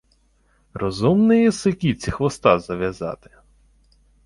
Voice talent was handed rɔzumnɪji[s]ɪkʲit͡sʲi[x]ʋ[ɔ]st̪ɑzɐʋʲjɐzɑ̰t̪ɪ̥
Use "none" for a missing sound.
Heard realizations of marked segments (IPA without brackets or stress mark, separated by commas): s, x, ɔ